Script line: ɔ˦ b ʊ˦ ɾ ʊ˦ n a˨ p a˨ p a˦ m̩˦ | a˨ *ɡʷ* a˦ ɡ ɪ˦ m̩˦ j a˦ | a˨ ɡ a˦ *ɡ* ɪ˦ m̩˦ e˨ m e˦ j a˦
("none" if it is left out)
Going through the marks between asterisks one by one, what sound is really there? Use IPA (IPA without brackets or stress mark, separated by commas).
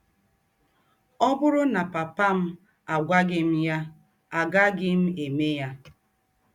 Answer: ɡʷ, ɡ